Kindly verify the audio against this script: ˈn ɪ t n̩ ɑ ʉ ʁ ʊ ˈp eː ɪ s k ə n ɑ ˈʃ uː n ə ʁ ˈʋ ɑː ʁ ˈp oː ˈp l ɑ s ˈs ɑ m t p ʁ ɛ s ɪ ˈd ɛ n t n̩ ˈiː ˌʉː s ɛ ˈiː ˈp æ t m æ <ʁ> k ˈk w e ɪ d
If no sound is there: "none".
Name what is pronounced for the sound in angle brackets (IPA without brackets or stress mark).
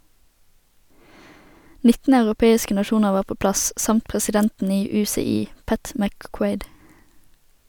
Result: none